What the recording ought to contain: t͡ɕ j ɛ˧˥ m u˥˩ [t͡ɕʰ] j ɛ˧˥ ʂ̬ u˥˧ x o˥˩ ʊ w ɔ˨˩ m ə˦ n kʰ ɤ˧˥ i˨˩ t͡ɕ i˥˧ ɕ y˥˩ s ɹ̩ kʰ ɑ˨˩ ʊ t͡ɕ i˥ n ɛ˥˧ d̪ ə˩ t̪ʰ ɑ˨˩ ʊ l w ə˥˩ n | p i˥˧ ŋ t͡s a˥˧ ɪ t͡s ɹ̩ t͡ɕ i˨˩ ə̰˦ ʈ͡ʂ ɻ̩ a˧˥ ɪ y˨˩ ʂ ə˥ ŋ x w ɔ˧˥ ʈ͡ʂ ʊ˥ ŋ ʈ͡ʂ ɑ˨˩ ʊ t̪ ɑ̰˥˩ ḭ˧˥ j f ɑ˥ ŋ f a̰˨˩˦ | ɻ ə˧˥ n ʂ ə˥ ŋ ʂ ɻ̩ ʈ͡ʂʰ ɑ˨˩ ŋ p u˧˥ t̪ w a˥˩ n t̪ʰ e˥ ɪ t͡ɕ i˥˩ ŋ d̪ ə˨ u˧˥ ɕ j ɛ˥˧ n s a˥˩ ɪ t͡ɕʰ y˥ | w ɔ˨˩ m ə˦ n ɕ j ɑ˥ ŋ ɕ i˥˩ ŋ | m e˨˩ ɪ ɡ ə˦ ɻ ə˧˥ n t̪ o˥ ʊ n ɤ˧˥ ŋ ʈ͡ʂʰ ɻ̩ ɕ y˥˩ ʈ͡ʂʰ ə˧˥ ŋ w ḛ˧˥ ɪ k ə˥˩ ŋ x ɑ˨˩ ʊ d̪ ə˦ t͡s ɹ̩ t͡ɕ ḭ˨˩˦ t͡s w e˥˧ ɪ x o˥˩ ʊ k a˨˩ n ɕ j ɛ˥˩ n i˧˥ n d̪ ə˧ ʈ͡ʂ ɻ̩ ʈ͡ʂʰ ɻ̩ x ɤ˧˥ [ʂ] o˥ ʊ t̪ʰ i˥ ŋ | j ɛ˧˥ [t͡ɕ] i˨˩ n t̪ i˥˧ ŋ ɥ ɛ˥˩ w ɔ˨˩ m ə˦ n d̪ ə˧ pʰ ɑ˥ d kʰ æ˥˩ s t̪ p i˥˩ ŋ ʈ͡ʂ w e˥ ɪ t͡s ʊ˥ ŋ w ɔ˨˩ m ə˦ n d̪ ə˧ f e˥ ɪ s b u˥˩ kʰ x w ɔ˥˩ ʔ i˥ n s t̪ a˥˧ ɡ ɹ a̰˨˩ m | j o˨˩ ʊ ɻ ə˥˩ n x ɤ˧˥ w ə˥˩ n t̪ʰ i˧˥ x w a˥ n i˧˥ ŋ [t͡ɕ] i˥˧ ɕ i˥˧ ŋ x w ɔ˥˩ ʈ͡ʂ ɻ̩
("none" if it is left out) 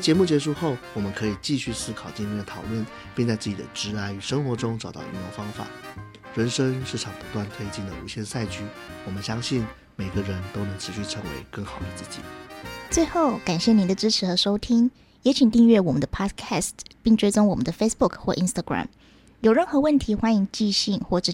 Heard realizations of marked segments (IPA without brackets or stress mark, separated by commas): t͡ɕ, ʂ, t͡ɕʰ, t͡ɕ